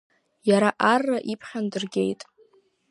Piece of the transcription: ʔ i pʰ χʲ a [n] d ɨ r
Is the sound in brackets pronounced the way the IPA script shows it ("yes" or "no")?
yes